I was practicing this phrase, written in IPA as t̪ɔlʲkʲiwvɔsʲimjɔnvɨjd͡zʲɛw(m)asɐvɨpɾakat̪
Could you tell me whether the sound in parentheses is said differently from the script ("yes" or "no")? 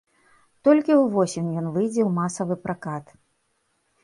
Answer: no